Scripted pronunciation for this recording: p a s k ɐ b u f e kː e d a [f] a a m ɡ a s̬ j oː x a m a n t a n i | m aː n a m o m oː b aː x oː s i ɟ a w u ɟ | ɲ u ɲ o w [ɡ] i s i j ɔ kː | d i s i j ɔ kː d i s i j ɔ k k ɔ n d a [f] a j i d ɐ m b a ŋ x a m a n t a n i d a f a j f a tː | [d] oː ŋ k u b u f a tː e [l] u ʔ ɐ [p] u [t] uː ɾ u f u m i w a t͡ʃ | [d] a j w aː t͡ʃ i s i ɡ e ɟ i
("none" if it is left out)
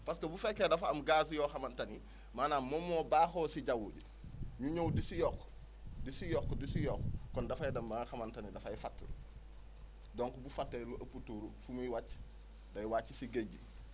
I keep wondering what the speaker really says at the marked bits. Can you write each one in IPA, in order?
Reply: f, d, f, d, l, p, t, d

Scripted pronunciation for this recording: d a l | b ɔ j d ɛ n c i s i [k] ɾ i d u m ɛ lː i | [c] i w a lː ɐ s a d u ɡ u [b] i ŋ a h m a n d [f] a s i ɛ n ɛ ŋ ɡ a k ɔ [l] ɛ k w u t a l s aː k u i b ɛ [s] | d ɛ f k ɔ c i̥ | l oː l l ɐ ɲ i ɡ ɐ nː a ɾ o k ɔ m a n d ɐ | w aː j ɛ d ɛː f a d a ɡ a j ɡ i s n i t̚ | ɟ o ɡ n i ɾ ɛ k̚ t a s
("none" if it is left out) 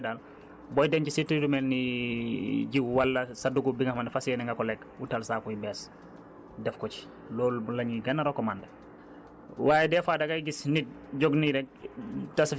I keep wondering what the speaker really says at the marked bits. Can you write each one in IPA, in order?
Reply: t, ɟ, b, f, l, s

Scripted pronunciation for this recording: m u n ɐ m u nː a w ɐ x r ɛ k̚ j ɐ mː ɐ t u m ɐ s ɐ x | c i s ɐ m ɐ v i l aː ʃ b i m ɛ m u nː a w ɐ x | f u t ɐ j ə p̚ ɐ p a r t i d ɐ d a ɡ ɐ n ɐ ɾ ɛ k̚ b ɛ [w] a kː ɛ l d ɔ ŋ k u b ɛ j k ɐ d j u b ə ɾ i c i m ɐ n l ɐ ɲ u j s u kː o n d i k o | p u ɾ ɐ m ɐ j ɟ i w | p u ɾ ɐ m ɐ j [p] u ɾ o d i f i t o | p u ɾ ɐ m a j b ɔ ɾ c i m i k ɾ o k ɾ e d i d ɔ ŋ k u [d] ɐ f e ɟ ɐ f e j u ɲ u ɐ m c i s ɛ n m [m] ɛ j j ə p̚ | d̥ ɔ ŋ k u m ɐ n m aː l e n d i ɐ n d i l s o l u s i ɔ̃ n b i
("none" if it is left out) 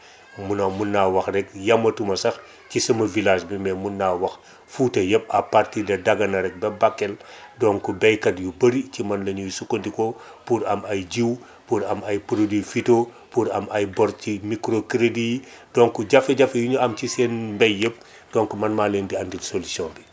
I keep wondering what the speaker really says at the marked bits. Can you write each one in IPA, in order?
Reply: b, p, ɟ, b

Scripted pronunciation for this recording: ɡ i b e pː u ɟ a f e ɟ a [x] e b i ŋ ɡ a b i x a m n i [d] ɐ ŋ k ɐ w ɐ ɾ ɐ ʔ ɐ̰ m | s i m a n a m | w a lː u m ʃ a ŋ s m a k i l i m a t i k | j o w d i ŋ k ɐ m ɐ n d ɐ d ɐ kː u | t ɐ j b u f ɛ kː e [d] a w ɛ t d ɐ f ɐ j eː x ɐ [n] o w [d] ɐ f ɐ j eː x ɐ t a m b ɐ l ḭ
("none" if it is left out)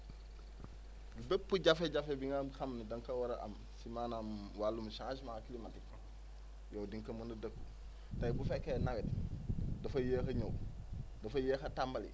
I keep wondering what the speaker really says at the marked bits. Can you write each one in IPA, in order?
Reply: f, d, n, ɲ, d

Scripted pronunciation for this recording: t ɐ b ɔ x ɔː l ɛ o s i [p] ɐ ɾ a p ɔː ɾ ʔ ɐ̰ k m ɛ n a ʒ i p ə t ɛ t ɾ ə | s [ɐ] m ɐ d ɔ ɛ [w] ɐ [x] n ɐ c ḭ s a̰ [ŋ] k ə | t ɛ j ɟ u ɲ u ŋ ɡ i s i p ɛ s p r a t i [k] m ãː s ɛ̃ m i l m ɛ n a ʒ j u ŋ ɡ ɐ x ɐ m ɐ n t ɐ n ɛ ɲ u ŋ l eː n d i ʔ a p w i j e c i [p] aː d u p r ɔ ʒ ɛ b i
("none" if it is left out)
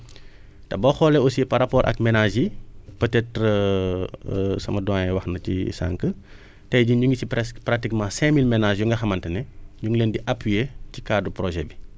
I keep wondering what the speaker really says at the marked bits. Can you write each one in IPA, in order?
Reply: p, ɐ, w, x, ŋ, k, k

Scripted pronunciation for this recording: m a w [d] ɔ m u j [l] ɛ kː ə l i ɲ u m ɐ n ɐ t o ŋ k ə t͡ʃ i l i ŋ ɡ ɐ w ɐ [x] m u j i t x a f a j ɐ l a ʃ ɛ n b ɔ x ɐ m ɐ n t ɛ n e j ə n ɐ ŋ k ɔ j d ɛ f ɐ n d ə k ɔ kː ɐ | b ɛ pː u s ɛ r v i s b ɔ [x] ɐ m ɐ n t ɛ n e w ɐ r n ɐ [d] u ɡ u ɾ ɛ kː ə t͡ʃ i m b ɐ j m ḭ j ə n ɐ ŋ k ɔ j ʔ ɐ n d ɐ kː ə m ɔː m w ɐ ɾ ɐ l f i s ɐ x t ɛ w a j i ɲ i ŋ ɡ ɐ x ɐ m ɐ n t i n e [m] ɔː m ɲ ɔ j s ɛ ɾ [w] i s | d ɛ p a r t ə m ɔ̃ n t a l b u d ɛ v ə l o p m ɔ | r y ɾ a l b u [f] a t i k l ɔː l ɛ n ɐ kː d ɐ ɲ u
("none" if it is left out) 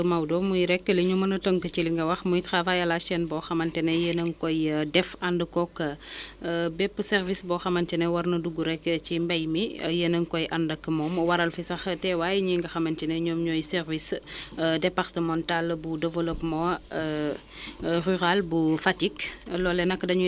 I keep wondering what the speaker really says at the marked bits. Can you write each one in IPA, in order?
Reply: d, ɾ, x, x, d, ɲ, v, f

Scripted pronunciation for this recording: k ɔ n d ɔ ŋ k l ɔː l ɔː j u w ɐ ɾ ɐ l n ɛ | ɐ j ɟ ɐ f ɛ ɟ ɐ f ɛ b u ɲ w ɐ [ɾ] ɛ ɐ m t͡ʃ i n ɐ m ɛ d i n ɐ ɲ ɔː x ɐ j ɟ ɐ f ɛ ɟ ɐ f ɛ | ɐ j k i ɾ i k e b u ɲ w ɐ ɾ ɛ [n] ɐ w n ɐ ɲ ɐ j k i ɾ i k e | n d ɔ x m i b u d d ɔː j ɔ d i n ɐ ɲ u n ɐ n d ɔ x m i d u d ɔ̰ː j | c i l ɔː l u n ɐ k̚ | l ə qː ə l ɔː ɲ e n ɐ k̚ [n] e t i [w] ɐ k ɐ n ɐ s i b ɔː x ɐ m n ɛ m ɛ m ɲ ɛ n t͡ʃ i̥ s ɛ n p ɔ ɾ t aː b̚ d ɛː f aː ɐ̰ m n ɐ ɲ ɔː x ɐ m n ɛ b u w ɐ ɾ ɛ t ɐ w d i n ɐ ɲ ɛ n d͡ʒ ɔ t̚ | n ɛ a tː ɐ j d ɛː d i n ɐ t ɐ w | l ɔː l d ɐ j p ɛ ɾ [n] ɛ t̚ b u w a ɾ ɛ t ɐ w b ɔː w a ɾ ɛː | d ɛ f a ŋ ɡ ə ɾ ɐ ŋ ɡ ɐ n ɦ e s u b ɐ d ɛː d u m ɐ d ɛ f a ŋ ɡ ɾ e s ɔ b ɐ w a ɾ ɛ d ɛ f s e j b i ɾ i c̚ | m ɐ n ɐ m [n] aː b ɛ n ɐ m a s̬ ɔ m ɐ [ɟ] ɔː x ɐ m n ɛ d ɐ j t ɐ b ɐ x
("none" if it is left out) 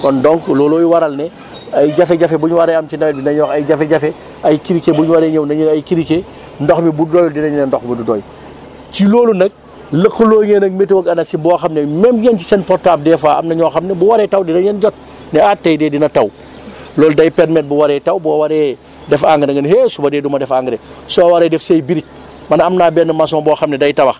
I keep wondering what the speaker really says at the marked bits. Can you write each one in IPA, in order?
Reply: ɾ, ɲ, m, w, m, n, b

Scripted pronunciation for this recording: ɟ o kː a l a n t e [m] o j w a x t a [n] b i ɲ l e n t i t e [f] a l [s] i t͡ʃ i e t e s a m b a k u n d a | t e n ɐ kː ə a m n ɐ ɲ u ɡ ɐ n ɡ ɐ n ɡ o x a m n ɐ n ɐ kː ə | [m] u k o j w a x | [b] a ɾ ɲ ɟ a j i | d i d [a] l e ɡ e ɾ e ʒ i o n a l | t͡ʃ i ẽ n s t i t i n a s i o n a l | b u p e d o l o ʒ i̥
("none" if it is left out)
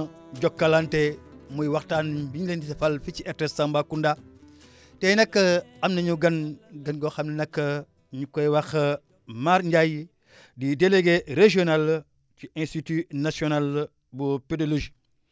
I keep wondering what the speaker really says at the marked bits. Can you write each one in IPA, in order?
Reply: m, n, f, f, ɲ, m, e

